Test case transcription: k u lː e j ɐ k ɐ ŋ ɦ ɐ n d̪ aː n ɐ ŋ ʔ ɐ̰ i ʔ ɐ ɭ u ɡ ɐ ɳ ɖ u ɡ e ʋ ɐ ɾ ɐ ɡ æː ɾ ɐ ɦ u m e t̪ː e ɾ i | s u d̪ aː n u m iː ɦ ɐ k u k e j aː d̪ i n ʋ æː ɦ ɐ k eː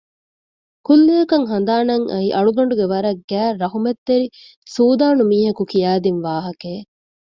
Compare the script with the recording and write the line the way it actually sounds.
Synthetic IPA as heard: k u lː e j ɐ k ɐ ŋ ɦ ɐ n d̪ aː n ɐ ŋ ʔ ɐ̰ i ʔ ɐ ɭ u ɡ ɐ ɳ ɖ u ɡ e ʋ ɐ ɾ ɐ ɡ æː ɾ ɐ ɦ u m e t̪ː e ɾ i | s uː d̪ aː n u m iː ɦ ɐ k u k i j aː d̪ i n ʋ aː ɦ ɐ k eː